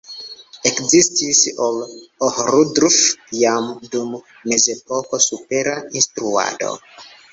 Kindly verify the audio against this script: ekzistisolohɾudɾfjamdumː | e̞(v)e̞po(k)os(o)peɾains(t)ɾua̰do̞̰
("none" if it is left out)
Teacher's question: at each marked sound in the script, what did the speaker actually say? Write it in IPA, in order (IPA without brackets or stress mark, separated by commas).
z, k, u, t